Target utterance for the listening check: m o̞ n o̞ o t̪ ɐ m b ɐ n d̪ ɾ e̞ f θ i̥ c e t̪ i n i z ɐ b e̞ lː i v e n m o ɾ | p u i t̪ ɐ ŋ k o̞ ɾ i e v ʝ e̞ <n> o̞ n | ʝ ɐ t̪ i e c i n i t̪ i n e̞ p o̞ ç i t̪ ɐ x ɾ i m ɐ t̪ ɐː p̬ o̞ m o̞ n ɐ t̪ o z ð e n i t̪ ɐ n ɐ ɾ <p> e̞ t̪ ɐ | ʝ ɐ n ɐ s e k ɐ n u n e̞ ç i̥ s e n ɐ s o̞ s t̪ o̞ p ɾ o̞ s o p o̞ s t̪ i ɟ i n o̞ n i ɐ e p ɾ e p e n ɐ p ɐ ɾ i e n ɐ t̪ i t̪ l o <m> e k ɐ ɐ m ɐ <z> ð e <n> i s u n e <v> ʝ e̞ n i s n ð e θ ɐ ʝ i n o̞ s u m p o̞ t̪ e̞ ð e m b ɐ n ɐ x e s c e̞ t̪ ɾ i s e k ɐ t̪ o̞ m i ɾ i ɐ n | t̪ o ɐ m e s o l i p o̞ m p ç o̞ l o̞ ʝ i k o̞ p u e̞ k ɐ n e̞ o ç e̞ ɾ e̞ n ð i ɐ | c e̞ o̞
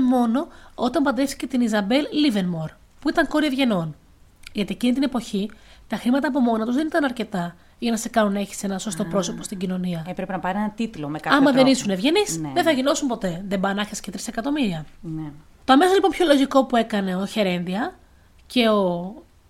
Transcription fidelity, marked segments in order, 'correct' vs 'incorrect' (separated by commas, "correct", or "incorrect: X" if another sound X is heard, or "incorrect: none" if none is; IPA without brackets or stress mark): correct, incorrect: c, correct, incorrect: ð, correct, correct